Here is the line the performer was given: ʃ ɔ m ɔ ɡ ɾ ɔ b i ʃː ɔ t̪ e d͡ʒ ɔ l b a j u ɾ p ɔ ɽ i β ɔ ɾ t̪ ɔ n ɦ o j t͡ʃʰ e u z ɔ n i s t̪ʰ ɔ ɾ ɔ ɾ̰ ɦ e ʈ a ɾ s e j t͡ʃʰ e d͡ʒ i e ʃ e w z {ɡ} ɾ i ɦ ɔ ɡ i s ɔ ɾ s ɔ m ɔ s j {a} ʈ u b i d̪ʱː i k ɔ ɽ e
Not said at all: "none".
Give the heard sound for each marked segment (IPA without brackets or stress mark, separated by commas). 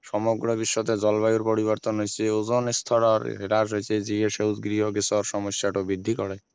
ɡ, a